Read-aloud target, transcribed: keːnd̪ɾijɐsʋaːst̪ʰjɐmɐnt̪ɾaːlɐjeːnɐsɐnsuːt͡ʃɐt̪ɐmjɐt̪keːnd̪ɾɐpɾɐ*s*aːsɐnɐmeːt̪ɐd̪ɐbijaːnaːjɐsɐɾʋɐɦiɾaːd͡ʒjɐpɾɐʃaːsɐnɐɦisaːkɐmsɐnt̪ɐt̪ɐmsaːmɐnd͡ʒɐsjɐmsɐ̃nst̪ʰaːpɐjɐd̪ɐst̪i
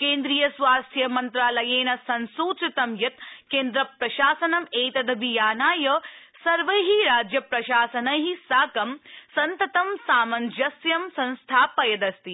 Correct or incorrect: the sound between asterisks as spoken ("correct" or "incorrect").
incorrect